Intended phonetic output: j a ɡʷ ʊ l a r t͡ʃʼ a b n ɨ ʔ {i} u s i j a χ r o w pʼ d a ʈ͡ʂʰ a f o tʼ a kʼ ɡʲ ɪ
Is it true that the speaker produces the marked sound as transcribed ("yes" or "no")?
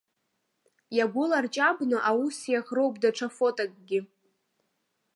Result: no